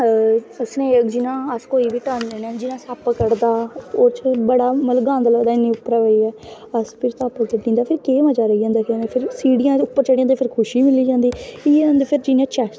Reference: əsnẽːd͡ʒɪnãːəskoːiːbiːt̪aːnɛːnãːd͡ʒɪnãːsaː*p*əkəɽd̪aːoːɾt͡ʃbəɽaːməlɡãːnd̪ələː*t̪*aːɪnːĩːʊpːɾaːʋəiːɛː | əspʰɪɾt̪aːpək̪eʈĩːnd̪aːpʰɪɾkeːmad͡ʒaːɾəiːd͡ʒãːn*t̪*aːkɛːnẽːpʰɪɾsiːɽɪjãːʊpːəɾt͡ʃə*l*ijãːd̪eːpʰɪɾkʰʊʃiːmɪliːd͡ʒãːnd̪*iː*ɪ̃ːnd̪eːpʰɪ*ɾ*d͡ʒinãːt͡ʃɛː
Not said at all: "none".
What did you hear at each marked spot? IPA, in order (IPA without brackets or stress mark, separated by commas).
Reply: p, d̪, d̪, ɽ, iː, ɾ